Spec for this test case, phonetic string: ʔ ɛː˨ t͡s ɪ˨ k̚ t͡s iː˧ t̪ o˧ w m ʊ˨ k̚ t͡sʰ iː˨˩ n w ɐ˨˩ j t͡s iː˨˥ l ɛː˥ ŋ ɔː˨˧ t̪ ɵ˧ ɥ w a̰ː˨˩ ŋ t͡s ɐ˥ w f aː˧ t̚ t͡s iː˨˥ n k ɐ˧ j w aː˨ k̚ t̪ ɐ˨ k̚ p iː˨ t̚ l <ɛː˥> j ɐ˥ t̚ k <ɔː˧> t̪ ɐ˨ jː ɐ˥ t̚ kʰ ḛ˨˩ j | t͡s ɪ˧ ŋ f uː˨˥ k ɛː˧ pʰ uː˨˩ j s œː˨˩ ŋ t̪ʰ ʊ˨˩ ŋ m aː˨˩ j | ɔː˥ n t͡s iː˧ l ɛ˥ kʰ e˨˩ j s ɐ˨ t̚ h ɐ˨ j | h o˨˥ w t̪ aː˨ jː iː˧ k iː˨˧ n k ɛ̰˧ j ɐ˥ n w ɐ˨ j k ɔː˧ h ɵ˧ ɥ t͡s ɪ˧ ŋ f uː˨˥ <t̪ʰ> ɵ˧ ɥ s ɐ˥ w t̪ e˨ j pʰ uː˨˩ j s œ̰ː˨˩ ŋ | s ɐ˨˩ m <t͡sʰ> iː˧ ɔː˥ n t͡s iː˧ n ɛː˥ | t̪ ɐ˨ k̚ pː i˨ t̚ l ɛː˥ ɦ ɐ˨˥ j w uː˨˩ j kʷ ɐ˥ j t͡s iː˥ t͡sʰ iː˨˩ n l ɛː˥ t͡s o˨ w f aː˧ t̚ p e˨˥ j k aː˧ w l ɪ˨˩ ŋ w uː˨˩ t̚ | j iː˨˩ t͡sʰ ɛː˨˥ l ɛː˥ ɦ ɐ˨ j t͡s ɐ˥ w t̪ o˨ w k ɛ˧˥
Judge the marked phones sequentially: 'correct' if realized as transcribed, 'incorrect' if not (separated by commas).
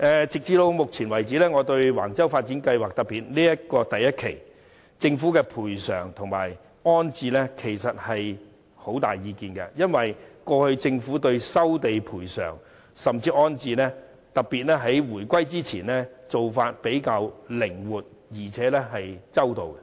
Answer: incorrect, correct, incorrect, incorrect